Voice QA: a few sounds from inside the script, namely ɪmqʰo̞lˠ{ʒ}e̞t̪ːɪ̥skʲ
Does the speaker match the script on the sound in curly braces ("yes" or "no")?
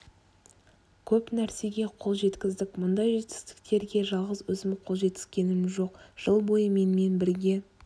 yes